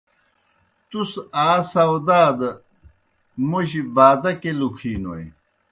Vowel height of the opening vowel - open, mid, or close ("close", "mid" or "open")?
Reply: close